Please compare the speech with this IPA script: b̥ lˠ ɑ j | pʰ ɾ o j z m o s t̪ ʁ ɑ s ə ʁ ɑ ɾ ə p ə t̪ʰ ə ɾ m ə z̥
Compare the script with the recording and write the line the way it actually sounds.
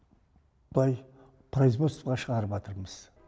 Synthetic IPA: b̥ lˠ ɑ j | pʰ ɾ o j z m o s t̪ ʁ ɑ ʃ ə ʁ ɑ ɾ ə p ɑ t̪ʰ ə ɾ m ə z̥